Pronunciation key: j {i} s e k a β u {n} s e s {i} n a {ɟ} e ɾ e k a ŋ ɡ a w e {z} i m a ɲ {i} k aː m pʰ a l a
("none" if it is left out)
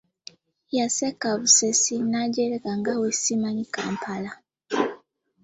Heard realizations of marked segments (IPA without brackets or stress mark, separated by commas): a, none, i, ɟ, s, i